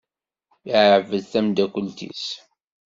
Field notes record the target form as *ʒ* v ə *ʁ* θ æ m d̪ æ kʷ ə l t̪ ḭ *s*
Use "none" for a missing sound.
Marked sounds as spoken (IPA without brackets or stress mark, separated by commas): ʕ, ð, s